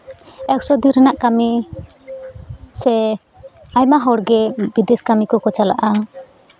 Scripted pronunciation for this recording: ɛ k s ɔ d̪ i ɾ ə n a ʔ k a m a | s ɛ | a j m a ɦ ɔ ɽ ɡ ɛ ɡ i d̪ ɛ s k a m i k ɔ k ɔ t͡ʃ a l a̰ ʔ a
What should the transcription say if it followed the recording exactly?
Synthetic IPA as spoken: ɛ k s ɔ d̪ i ɾ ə n a ʔ k a m i | s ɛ | a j m a ɦ ɔ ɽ ɡ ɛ b i d̪ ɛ s k a m i k ɔ k ɔ t͡ʃ a l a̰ ʔ a